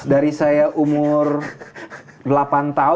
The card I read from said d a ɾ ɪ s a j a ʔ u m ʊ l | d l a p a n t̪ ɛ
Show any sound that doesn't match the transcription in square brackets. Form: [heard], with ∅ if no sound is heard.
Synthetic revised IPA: d a ɾ [i] s a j a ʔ u m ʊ [r] | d l a p a n t̪ [a]